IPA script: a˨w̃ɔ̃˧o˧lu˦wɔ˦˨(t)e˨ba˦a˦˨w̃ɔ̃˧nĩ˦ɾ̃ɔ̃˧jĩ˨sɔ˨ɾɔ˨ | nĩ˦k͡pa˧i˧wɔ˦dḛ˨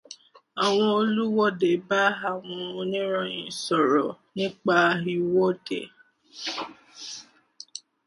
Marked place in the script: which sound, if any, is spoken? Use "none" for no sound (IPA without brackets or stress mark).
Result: d